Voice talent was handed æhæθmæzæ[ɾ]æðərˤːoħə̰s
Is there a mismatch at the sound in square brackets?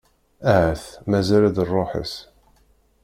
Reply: yes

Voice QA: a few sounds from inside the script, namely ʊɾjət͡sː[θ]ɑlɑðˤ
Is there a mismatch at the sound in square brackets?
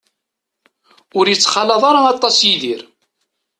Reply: yes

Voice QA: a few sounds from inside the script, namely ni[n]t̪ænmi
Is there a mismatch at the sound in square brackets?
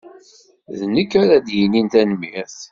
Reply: no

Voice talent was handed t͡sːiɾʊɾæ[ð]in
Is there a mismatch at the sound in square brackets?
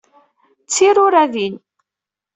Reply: no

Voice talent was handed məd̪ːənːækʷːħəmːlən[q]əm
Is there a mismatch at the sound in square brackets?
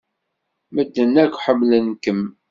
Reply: yes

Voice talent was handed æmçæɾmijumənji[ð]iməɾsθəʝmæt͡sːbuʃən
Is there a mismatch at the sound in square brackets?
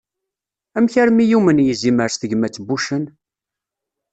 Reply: yes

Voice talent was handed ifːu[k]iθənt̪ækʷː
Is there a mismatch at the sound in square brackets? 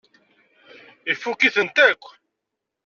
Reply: no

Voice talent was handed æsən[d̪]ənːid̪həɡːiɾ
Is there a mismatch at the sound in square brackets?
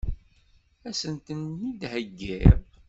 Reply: yes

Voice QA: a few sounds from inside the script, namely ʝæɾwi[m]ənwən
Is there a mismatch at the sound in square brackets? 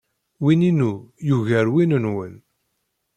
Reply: yes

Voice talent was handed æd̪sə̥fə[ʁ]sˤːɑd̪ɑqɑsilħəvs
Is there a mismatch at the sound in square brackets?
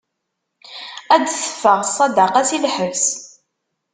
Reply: no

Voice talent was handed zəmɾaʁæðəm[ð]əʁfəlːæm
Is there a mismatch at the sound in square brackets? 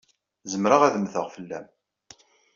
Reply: yes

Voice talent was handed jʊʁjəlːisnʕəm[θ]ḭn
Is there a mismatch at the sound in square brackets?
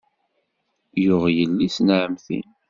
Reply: no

